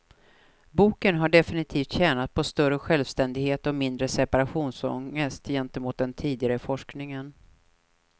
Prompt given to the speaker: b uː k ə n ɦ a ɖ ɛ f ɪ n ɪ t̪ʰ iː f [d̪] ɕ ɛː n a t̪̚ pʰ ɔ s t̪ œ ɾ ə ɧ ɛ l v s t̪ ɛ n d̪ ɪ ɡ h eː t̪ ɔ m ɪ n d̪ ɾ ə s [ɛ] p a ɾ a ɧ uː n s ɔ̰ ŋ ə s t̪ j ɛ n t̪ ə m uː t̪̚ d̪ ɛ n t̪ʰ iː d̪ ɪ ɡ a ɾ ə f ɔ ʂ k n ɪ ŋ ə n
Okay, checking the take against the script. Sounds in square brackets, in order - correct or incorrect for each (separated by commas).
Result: incorrect, correct